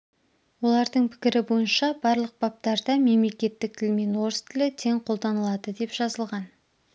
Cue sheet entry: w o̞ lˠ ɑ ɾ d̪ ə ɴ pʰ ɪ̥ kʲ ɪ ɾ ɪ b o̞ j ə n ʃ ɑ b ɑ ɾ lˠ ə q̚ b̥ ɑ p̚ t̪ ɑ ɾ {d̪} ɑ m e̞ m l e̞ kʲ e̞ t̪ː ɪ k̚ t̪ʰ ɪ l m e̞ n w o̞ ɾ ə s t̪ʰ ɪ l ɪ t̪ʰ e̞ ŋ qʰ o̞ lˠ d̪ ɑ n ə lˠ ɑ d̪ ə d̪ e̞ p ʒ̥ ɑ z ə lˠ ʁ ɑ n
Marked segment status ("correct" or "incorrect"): correct